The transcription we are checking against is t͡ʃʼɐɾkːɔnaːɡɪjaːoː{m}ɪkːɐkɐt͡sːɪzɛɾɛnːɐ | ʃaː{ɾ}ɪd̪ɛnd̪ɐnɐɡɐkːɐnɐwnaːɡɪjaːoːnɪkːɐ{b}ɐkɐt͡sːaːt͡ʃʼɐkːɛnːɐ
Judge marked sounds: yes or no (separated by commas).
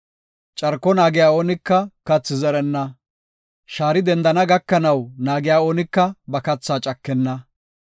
no, yes, yes